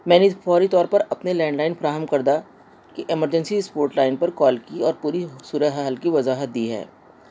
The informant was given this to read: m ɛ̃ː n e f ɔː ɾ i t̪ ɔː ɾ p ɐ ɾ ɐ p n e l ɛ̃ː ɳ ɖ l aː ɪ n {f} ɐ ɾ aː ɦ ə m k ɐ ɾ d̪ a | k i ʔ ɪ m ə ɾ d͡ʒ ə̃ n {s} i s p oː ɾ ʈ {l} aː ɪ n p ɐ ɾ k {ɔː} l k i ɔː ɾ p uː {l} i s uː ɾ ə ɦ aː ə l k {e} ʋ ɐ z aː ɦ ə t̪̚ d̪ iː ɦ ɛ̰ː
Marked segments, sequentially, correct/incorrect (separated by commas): correct, correct, correct, correct, incorrect, incorrect